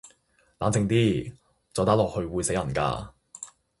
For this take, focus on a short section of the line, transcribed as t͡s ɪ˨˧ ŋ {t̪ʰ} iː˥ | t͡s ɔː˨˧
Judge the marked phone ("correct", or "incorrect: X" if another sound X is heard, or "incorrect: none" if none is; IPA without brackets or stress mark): incorrect: t̪